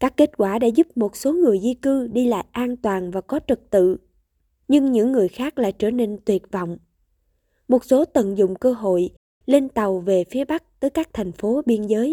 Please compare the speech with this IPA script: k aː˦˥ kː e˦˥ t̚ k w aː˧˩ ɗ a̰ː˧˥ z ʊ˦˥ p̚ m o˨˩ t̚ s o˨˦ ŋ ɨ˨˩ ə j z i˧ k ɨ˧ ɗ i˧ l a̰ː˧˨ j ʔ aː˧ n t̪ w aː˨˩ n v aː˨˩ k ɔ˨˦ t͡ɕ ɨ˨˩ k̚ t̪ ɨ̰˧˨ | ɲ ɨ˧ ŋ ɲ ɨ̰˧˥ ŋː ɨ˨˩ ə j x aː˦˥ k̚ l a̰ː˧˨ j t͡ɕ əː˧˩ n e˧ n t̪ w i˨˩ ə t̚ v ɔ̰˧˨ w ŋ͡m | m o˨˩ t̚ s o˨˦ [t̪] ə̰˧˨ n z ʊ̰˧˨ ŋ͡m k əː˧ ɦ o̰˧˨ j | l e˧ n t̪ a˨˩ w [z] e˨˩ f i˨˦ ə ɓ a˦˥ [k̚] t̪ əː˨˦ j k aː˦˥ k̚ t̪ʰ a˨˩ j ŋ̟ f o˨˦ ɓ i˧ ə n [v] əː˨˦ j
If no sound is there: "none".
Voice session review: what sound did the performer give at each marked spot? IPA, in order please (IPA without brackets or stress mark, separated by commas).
t̪, v, k̚, z